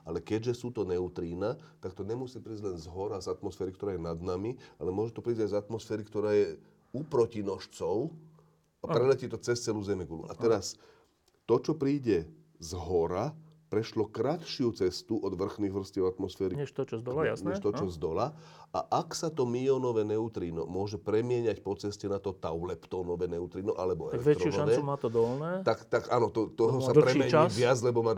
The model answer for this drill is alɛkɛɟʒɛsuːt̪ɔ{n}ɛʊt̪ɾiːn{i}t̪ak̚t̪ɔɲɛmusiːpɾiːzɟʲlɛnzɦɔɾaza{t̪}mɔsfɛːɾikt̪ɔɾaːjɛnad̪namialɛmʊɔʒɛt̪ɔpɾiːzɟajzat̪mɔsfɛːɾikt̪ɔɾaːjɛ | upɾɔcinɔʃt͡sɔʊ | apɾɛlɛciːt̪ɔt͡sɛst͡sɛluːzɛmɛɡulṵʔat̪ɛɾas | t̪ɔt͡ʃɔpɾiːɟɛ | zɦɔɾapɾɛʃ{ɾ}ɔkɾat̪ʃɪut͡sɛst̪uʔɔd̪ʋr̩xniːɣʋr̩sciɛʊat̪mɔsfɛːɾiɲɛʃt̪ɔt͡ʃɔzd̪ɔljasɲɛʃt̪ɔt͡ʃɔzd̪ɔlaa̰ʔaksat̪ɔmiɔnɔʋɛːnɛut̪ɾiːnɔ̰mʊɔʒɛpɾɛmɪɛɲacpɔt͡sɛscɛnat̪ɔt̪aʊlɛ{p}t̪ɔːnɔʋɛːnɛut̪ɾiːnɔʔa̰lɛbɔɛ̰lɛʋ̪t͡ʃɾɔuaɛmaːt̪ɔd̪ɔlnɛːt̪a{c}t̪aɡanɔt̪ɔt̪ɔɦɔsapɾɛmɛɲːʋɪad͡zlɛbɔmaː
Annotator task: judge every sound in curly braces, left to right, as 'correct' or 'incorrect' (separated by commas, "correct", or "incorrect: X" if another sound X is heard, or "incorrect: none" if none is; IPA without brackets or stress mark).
correct, incorrect: a, correct, incorrect: l, correct, incorrect: k